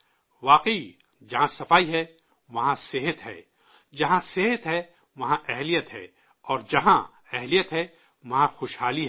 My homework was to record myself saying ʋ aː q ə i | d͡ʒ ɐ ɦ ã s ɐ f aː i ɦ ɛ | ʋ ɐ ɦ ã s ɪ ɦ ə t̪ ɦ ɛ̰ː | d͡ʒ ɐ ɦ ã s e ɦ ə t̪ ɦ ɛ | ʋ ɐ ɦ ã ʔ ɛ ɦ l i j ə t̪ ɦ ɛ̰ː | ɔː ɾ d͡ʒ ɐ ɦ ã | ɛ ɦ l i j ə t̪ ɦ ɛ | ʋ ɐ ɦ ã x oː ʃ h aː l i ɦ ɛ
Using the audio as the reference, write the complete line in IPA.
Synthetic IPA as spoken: ʋ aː q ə i | d͡ʒ ɐ ɦ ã s ɐ f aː i ɦ ɛ | ʋ ɐ ɦ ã s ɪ ɦ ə t̪ ɦ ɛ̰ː | d͡ʒ ɐ ɦ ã s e ɦ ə t̪ ɦ ɛ | ʋ ɐ ɦ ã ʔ ɛ ɦ l i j ə t̪ ɦ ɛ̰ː | ɔː ɾ d͡ʒ ɐ ɦ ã | ɛ ɦ l i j ə t̪ ɦ ɛ | ʋ ɐ ɦ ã x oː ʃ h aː l i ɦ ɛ